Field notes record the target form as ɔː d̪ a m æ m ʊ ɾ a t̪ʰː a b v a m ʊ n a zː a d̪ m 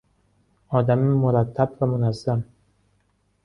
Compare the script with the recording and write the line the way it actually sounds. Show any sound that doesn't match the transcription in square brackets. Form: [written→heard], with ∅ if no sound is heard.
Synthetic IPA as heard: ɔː d̪ a m [æ→i] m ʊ ɾ a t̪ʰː a b v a m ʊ n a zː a [d̪→∅] m

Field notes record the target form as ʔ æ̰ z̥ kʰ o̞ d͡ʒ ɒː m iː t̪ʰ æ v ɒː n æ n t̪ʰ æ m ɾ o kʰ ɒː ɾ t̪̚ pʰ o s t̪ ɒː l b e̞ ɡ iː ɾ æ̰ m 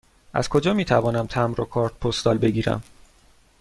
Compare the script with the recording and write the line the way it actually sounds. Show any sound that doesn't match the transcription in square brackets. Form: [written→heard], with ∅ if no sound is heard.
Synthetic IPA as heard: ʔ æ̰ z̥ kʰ o̞ d͡ʒ ɒː m iː t̪ʰ æ v ɒː n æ [n→m] t̪ʰ æ m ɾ o kʰ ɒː ɾ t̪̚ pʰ o s t̪ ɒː l b e̞ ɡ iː ɾ æ̰ m

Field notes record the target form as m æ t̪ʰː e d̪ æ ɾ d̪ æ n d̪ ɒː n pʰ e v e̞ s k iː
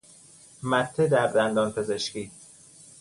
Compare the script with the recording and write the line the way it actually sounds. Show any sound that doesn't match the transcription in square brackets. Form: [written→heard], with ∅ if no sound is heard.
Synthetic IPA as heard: m æ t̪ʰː e d̪ æ ɾ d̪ æ n d̪ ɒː n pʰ e [v→z] e̞ [s→ʃ] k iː

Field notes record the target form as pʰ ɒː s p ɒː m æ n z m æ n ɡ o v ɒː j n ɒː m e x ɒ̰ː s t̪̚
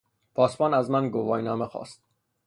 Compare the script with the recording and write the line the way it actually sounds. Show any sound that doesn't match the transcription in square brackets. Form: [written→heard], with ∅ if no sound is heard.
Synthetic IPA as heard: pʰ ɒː s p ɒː [m→n] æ [n→∅] z m æ n ɡ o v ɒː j n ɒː m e x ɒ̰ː s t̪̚

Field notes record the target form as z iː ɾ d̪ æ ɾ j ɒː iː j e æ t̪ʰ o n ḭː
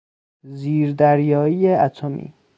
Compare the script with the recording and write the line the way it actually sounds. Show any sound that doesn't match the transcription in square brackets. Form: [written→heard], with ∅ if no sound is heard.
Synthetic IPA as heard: z iː ɾ d̪ æ ɾ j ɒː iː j e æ t̪ʰ o [n→m] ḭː

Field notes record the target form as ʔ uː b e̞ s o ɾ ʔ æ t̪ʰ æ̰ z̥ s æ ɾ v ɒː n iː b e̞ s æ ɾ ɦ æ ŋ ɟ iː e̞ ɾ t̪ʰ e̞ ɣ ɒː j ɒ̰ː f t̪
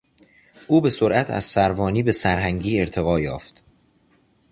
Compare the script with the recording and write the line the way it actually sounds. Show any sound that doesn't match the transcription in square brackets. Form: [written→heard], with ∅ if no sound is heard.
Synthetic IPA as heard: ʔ uː b e̞ s o ɾ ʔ æ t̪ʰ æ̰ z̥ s æ ɾ v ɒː n iː b e̞ s æ ɾ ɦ æ ŋ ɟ iː e̞ ɾ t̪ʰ e̞ ɣ ɒː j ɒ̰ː f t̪

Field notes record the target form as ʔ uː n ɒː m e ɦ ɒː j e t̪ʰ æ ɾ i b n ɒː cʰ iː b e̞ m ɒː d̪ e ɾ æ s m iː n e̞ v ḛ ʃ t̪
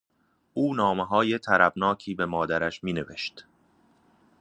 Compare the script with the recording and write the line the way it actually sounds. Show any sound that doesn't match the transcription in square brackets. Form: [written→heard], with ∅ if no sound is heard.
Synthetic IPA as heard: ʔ uː n ɒː m e ɦ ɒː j e t̪ʰ æ ɾ [i→æ] b n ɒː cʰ iː b e̞ m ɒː d̪ [e→æ] ɾ æ [s→ʃ] m iː n e̞ v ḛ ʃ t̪

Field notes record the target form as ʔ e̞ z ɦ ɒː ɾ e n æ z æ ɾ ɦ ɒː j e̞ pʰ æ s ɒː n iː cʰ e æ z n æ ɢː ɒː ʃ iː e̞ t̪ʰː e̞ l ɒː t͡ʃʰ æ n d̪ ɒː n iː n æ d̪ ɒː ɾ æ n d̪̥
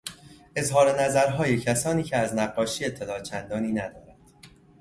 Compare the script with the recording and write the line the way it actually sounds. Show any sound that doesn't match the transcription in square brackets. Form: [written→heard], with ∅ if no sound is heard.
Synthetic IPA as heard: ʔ e̞ z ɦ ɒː ɾ e n æ z æ ɾ ɦ ɒː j e̞ [pʰ→cʰ] æ s ɒː n iː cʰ e æ z n æ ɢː ɒː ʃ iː e̞ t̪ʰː e̞ l ɒː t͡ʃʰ æ n d̪ ɒː n iː n æ d̪ ɒː ɾ æ n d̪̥

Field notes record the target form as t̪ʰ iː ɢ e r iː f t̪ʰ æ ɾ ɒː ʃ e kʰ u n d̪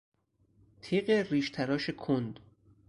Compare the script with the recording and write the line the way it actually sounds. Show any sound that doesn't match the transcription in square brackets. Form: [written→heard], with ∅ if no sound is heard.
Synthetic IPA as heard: t̪ʰ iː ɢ e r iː [f→ʃ] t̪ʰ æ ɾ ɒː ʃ e kʰ [u→o] n d̪

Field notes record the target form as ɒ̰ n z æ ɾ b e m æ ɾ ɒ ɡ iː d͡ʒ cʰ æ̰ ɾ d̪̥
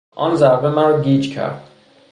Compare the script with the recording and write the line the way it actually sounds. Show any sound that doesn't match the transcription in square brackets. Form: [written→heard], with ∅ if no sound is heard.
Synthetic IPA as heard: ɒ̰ n z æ ɾ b e m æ ɾ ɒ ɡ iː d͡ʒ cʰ æ̰ ɾ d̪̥

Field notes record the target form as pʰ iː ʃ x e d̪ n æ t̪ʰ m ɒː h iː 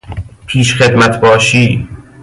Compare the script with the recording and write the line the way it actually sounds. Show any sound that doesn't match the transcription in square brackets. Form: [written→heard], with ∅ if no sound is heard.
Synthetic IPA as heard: pʰ iː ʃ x e d̪ [n→m] æ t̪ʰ [m→b] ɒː [h→ʃ] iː

